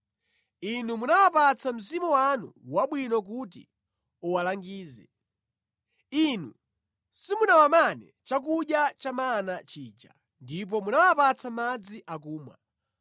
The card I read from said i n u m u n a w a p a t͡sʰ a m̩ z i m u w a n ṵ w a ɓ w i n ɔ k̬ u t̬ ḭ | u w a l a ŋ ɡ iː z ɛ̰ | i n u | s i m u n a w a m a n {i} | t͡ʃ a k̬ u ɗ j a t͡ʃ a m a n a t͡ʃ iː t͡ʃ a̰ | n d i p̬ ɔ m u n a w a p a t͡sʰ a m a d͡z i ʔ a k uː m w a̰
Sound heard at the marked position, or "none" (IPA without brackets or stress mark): ɛ